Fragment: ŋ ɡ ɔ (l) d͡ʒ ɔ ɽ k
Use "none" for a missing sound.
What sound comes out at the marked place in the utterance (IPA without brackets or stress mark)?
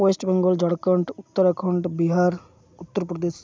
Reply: l